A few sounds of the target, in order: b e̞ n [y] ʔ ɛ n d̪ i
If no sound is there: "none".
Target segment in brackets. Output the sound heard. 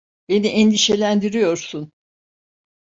i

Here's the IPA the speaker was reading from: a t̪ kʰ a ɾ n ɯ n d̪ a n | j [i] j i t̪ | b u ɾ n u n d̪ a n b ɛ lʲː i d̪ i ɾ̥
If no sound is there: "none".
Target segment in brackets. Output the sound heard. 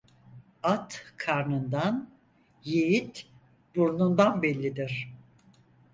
e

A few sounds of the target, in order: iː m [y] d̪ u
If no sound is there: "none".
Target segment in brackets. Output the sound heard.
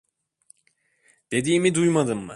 i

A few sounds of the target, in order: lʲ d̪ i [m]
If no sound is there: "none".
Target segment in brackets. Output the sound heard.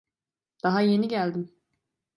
m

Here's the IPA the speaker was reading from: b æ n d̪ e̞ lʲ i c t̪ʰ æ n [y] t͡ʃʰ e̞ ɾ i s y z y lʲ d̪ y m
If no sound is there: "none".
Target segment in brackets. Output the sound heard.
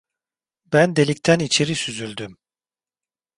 i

